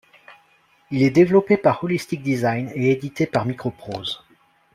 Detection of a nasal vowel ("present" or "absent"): absent